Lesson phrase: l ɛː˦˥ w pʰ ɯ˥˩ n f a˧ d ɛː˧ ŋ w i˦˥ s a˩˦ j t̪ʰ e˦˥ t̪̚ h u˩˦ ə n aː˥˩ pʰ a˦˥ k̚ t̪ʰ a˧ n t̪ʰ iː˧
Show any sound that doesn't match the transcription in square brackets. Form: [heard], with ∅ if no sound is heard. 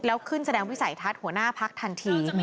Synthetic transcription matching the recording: l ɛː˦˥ w [kʰ] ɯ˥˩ n [s] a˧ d ɛː˧ ŋ w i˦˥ s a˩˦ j t̪ʰ [a˦˥] t̪̚ h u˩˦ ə n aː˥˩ pʰ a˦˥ k̚ t̪ʰ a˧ n t̪ʰ iː˧

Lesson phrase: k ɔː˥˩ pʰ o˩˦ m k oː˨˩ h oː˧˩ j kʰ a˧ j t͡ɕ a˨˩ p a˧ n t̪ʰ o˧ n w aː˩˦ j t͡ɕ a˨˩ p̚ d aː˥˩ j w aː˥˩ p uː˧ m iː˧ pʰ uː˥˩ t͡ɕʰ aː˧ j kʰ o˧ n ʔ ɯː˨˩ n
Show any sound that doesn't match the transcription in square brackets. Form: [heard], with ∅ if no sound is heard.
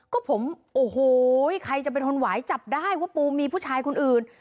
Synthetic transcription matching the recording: k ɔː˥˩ pʰ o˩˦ m [ʔ] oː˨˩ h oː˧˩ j kʰ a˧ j t͡ɕ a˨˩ p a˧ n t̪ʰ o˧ n w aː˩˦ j t͡ɕ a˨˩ p̚ d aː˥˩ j w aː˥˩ p uː˧ m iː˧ pʰ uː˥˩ t͡ɕʰ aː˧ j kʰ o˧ n ʔ ɯː˨˩ n

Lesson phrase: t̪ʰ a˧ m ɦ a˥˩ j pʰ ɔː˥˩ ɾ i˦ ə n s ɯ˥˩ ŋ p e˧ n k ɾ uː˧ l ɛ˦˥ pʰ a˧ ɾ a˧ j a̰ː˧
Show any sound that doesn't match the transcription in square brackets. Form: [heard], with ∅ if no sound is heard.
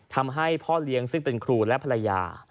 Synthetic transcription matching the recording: t̪ʰ a˧ m ɦ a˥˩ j pʰ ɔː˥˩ [l] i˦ ə [ŋ] s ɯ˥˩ ŋ p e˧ n [kʰ] ɾ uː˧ l ɛ˦˥ pʰ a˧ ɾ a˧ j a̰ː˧

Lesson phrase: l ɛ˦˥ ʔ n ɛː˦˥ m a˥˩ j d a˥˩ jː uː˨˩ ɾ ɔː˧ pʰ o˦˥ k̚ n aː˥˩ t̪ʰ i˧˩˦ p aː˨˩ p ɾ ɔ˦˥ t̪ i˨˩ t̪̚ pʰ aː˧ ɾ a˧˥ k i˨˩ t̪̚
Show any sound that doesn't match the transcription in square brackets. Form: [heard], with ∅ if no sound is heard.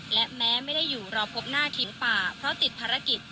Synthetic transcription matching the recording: l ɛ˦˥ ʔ [m] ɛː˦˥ m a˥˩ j d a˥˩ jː uː˨˩ ɾ ɔː˧ pʰ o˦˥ [p̚] n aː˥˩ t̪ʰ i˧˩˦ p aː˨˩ [pʰ] ɾ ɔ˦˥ t̪ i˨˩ t̪̚ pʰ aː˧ ɾ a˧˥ k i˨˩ t̪̚

